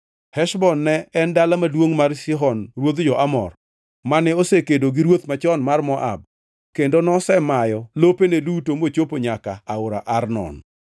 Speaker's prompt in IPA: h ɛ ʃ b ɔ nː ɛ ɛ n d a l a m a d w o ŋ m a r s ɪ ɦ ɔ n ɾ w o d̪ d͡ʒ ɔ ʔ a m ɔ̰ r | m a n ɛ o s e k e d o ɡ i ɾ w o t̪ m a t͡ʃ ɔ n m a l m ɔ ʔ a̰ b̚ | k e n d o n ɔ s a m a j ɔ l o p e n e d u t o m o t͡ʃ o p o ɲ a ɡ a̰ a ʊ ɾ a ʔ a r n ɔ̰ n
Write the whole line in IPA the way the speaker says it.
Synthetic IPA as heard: h ɛ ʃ b ɔ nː ɛ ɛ n d a l a m a d w o ŋ m a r s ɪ ɦ ɔ n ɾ w o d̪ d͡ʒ ɔ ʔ a m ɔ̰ r | m a n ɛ o s e k e d o ɡ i ɾ w o t̪ m a t͡ʃ ɔ n m a r m ɔ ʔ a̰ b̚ | k e n d o n ɔ s ɛ m a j ɔ l o p e n e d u t o m o t͡ʃ o p o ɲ a k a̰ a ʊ ɾ a ʔ a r n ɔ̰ n